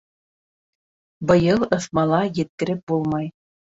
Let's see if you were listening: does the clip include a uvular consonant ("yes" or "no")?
no